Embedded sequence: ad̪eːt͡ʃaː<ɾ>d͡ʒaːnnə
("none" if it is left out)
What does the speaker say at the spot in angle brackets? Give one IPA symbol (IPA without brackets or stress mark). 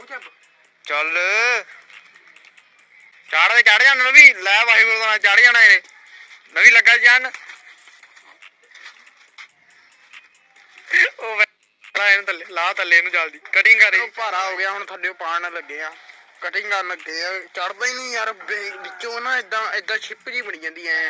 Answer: ɽ